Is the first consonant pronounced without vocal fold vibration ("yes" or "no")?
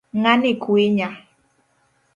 no